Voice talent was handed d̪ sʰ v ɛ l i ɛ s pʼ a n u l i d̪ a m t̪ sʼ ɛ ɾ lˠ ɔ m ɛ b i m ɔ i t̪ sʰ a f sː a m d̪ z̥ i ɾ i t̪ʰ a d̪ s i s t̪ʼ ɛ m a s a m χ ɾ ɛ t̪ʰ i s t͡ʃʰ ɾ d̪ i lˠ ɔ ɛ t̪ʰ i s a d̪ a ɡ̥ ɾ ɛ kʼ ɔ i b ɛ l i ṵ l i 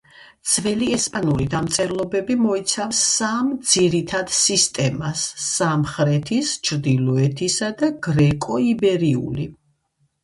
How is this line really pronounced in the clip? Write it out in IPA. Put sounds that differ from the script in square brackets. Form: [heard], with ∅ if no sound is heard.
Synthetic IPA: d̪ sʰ v ɛ l i ɛ s pʼ a n u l i d̪ a m t̪ sʼ ɛ ɾ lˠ ɔ [b] ɛ b i m ɔ i t̪ sʰ a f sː a m d̪ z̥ i ɾ i t̪ʰ a d̪ s i s t̪ʼ ɛ m a s a m χ ɾ ɛ t̪ʰ i s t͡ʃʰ ɾ d̪ i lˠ ɔ ɛ t̪ʰ i s a d̪ a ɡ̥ ɾ ɛ kʼ ɔ i b ɛ [ɾ] i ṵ l i